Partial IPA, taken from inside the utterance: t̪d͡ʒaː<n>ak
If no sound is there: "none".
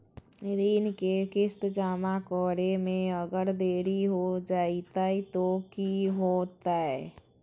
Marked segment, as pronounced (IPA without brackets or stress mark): m